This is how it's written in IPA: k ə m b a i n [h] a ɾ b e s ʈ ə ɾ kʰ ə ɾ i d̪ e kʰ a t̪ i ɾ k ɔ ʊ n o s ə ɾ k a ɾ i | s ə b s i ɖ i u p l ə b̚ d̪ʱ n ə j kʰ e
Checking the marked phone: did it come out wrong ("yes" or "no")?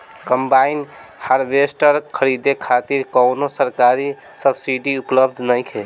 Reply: no